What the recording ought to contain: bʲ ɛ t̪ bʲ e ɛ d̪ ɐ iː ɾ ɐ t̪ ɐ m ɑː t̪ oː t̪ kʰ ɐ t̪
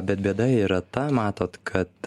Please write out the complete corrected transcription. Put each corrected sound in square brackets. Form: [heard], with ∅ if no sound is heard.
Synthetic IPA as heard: bʲ ɛ t̪ bʲ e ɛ d̪ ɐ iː ɾ ɐ t̪ ɐ m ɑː t̪ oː t̪ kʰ ɐ t̪